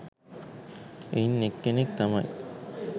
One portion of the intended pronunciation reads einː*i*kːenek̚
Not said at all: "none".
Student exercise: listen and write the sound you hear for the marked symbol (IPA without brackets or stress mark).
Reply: e